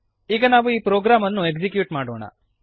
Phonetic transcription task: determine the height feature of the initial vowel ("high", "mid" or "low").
high